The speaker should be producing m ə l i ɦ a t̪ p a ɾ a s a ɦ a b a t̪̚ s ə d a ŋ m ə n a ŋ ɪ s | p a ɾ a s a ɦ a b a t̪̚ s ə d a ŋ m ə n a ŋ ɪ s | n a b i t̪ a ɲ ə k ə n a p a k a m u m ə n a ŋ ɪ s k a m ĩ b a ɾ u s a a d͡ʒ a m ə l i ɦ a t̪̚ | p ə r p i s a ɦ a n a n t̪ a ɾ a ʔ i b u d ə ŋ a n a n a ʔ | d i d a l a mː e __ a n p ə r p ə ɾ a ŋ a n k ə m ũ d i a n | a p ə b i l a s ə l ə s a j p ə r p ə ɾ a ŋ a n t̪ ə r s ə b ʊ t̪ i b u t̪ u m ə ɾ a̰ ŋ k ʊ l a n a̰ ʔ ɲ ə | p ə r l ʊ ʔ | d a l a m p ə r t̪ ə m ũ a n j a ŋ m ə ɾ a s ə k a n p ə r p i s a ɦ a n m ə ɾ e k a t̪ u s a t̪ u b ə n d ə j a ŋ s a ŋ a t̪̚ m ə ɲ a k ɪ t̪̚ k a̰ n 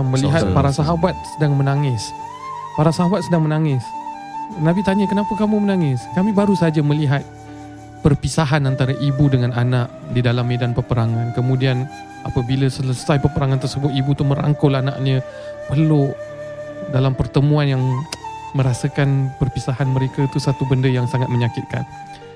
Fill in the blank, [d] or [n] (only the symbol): d